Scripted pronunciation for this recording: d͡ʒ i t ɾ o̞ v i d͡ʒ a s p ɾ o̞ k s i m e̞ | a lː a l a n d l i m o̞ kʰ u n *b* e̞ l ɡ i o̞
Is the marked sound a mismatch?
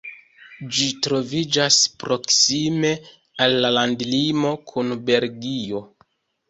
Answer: no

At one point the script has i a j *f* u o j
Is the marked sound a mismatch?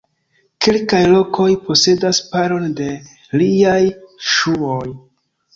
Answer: yes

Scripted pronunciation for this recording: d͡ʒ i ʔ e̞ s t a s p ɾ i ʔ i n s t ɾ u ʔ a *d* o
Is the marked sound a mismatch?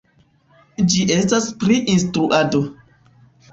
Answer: no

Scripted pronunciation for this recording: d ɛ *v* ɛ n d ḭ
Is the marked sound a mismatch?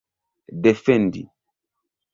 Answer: yes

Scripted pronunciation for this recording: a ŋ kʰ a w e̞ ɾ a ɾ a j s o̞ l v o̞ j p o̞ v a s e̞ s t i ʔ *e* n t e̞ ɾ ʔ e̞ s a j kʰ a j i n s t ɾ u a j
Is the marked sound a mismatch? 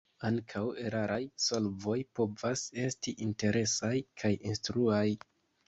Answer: yes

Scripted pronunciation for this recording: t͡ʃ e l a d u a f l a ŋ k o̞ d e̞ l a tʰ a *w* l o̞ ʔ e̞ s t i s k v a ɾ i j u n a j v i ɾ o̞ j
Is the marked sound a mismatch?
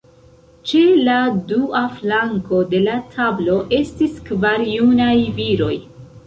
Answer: yes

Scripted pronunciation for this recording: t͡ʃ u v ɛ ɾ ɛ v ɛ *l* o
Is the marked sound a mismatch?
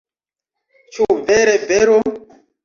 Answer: yes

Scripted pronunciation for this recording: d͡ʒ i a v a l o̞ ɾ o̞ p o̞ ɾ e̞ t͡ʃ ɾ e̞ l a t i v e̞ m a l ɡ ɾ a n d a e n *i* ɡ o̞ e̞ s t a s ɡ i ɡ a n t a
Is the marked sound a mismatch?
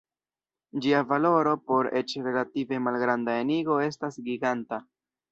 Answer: no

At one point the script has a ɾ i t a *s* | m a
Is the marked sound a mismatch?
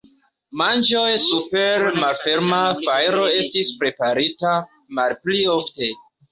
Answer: yes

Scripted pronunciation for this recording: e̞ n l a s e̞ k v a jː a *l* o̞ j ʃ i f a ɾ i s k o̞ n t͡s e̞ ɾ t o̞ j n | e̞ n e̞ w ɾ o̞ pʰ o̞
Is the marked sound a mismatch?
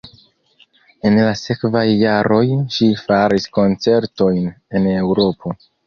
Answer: yes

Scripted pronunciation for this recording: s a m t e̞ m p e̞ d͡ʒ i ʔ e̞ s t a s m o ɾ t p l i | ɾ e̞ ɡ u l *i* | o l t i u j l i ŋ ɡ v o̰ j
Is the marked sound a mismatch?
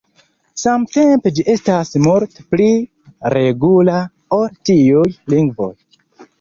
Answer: yes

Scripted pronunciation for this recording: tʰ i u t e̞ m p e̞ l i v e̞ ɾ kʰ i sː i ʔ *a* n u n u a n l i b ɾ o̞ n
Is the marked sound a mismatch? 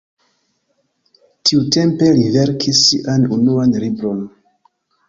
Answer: no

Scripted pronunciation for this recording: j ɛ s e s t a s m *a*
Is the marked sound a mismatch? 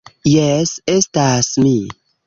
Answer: yes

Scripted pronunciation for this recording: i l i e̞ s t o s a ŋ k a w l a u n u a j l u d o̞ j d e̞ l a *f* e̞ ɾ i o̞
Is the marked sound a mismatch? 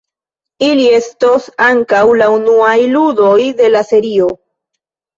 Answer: yes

